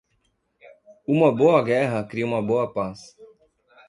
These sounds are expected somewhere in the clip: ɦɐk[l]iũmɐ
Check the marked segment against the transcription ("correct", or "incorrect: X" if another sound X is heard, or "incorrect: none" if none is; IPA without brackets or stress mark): incorrect: ɾ